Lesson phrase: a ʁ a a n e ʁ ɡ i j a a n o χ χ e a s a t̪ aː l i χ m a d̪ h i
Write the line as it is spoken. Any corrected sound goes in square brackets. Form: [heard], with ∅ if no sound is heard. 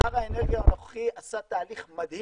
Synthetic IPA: a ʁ a [e] n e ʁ ɡ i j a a n o χ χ [i] a s a t̪ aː l i χ m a d̪ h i